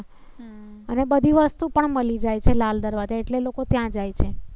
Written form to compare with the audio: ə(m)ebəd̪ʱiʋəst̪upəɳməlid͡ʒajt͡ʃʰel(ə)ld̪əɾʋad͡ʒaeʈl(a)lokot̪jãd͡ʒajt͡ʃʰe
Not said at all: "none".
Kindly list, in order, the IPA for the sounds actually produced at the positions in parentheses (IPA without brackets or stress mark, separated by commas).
n, a, e